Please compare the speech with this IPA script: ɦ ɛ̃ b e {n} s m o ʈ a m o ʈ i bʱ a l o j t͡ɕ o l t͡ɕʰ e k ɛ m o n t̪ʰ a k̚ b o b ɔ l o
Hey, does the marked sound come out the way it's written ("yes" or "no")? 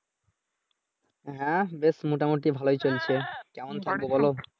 no